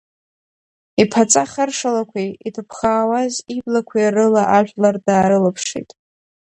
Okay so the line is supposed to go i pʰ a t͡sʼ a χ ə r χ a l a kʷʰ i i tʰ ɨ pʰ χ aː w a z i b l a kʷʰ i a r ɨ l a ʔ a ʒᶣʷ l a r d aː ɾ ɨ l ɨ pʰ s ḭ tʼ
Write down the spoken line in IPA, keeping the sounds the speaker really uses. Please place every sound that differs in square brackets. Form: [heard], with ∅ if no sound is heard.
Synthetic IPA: i pʰ a t͡sʼ a χ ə r [ʂ] a l a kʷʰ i i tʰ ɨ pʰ χ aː w a z i b l a kʷʰ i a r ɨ l a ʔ a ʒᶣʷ l a r d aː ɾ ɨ l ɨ pʰ [ʂ] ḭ tʼ

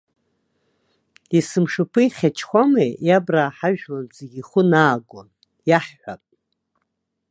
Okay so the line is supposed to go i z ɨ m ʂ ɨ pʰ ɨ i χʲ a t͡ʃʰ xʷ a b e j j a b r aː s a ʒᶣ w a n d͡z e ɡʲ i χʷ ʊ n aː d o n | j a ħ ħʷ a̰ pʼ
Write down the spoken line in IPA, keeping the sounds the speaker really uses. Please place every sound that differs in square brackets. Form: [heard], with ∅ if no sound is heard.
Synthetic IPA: i [s] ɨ m ʂ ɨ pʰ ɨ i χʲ a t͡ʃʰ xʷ a [m] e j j a b r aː [ħ] a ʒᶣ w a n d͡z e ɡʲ i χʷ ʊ n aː [ɡ] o n | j a ħ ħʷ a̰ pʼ

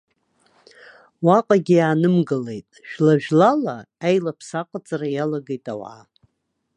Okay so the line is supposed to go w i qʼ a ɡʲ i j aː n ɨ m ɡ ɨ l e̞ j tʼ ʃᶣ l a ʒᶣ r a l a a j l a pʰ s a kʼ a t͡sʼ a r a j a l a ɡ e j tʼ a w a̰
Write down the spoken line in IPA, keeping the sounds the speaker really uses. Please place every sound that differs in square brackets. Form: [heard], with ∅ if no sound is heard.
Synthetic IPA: w [a] qʼ a ɡʲ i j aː n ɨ m ɡ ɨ l e̞ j tʼ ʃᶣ l a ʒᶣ [l] a l a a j l a pʰ s a [qʼ] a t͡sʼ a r a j a l a ɡ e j tʼ a w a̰

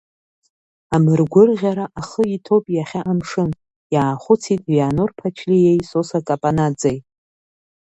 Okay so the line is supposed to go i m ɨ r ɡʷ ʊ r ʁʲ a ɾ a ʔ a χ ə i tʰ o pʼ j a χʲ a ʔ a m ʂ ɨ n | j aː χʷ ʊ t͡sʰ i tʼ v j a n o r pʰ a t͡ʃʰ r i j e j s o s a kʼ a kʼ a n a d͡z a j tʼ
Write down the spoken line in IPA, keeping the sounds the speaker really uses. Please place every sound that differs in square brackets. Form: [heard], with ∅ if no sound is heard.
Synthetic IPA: [a] m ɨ r ɡʷ ʊ r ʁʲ a ɾ a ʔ a χ ə i tʰ o pʼ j a χʲ a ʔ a m ʂ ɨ n | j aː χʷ ʊ t͡sʰ i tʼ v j a n o r pʰ a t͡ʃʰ [l] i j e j s o s a kʼ a [pʼ] a n a d͡z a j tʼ

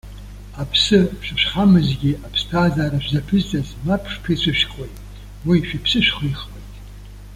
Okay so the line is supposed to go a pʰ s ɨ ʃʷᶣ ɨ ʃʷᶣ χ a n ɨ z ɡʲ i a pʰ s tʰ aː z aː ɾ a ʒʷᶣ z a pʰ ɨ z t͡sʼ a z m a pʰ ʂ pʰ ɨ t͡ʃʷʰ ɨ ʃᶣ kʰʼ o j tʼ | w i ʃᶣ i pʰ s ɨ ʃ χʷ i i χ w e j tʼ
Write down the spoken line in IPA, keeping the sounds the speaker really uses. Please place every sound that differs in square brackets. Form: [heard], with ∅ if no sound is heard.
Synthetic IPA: a pʰ s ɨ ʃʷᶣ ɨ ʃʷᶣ χ a [m] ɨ z ɡʲ i a pʰ s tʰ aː z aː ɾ a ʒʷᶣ z a pʰ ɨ z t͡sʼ a z m a pʰ ʂ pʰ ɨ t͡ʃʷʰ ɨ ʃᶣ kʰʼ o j tʼ | w i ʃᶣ i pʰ s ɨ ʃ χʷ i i χ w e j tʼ

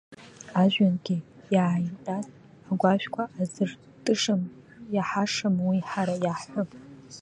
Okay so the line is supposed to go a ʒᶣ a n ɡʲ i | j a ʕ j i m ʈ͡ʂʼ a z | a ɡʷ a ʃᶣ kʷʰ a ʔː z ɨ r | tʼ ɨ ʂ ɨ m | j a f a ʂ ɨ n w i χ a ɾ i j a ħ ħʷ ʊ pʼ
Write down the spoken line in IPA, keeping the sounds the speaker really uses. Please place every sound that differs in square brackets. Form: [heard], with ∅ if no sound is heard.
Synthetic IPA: a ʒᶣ a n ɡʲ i | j a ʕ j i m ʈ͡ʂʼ a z | a ɡʷ a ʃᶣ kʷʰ a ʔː z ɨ r | tʼ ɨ ʂ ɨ m | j a [ħ] a ʂ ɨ [m] w i [ħ] a ɾ [a] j a ħ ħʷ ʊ pʼ

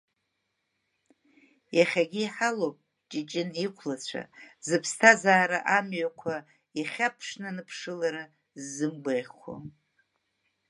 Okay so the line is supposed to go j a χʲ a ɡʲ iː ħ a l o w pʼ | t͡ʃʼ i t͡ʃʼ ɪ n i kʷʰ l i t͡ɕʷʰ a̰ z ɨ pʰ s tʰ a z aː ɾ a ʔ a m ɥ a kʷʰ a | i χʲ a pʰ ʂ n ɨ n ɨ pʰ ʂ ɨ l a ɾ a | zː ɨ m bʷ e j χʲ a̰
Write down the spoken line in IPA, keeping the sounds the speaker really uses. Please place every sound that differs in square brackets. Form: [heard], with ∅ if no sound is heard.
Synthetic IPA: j a χʲ a ɡʲ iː ħ a l o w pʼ | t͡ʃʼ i t͡ʃʼ ɪ n i kʷʰ l [a] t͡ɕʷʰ a̰ z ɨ pʰ s tʰ a z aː ɾ a ʔ a m ɥ a kʷʰ a | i χʲ a pʰ ʂ n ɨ n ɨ pʰ ʂ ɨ l a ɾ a | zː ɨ m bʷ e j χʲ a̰

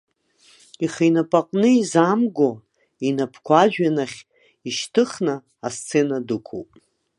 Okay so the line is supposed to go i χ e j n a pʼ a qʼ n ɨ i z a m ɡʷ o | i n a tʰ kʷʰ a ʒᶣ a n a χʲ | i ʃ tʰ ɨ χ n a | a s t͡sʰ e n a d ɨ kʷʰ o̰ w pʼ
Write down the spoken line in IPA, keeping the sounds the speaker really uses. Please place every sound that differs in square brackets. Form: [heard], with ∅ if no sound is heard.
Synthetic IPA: i χ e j n a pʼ a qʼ n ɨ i z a m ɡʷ o | i n a [pʰ] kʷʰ a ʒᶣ a n a χʲ | i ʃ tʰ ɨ χ n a | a s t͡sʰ e n a d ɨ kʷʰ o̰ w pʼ

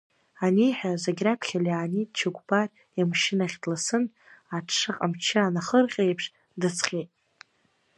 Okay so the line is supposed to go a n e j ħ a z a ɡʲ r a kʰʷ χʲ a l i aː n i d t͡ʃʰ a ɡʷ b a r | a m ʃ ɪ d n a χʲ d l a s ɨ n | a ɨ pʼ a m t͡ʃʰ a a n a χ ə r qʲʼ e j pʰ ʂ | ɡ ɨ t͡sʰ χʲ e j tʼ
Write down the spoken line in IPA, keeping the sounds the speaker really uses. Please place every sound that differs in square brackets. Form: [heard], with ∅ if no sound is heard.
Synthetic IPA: a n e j ħ a z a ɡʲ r a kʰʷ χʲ a l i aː n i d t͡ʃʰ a ɡʷ b a r | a m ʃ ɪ [∅] n a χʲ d l a s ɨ n | a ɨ [qʼ] a m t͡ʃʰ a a n a χ ə r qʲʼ e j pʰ ʂ | [d] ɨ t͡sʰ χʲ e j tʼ

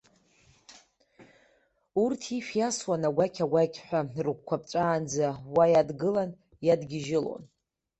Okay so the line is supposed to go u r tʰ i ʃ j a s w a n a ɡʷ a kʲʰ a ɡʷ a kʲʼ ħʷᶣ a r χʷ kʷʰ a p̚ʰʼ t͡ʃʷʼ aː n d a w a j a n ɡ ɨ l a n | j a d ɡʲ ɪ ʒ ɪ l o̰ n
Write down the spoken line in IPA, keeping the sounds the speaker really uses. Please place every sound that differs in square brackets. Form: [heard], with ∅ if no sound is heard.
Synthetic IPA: u r tʰ i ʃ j a s w a n a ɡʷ a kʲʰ a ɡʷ a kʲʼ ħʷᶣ a r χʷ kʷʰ a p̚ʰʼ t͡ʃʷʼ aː n [d͡z] a w a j a [d] ɡ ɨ l a n | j a d ɡʲ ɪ ʒ ɪ l o̰ n

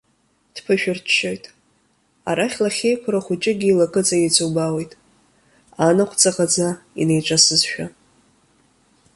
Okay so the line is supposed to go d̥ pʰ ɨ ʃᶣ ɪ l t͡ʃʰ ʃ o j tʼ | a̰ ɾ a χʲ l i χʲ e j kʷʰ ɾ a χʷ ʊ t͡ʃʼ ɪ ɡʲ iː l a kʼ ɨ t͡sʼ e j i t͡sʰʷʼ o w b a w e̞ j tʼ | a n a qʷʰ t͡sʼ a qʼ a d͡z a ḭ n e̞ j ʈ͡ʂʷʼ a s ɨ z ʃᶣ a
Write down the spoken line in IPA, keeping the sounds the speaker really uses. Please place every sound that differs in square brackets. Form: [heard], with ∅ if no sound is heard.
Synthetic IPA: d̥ pʰ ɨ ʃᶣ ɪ [r] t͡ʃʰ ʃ o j tʼ | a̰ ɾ a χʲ l [a] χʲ e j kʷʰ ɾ a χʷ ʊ t͡ʃʼ ɪ ɡʲ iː l a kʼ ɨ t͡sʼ [a] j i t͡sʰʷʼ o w b a w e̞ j tʼ | a n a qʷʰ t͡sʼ a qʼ a d͡z a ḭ n e̞ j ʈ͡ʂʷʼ a s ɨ z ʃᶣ a

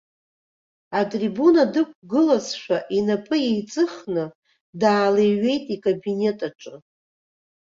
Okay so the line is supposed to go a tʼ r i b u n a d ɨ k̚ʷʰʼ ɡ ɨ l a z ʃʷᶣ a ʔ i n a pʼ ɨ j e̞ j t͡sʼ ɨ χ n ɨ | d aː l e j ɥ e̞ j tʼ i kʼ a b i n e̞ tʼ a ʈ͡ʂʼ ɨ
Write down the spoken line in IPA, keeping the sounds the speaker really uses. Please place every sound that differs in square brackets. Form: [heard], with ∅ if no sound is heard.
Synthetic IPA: a tʼ r i b u n a d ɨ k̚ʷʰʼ ɡ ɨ l a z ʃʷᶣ a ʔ i n a pʼ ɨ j e̞ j t͡sʼ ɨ χ n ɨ | d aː l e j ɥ e̞ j tʼ i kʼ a b i n e̞ tʼ a ʈ͡ʂʼ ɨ

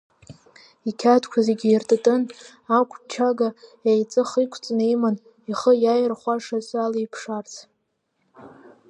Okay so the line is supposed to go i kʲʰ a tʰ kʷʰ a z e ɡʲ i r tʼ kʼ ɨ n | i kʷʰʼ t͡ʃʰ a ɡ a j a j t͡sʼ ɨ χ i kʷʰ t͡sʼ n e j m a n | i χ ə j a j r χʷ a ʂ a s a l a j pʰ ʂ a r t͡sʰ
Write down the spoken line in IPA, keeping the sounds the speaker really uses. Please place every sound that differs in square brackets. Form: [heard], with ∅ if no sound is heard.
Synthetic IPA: i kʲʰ a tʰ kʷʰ a z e ɡʲ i r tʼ [tʼ] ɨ n | [a] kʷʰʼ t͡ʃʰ a ɡ a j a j t͡sʼ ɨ χ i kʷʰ t͡sʼ n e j m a n | i χ ə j a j r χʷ a ʂ a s a l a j pʰ ʂ a r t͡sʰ

